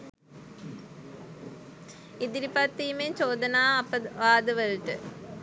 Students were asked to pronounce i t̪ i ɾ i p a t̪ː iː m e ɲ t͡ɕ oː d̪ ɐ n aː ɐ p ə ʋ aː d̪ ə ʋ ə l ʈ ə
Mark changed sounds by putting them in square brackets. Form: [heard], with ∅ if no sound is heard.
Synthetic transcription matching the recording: i [d̪] i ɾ i p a t̪ː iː m e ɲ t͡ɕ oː d̪ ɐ n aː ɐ p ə ʋ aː d̪ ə ʋ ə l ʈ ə